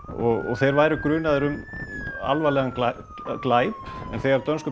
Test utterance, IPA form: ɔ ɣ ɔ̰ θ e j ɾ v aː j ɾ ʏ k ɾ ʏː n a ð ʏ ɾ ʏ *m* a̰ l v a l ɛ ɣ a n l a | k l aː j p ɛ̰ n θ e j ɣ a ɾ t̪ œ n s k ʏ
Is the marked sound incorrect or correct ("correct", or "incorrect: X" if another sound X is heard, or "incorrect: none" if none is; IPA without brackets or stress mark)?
correct